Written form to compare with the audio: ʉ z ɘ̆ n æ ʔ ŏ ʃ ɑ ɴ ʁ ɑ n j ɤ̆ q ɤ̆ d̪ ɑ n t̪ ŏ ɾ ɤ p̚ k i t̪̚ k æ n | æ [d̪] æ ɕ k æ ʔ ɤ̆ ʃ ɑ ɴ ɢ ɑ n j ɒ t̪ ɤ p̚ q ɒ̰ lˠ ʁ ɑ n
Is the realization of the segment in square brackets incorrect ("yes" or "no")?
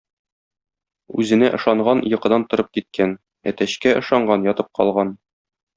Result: yes